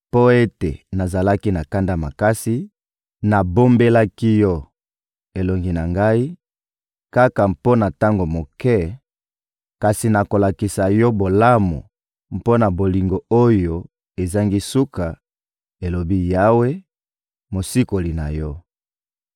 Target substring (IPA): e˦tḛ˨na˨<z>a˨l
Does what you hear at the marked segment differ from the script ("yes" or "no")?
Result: no